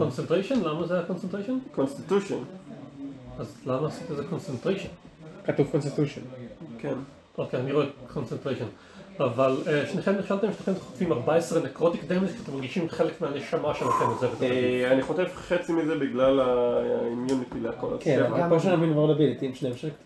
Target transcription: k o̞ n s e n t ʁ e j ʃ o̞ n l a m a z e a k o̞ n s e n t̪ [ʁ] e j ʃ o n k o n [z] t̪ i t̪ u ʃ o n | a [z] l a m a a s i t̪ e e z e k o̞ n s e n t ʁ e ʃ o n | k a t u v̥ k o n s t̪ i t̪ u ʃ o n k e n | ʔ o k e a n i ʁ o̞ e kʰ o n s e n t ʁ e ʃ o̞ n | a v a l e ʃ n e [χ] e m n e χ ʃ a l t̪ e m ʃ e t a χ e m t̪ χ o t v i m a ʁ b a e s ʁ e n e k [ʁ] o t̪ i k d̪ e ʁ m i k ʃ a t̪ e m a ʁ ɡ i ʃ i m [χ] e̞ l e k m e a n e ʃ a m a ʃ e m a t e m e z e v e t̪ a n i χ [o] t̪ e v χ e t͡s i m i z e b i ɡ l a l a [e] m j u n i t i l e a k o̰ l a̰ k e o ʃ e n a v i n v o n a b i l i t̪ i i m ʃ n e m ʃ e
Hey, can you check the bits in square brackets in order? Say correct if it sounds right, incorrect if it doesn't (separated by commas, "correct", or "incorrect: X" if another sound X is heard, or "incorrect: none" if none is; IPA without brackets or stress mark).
correct, incorrect: s, correct, correct, correct, correct, correct, incorrect: i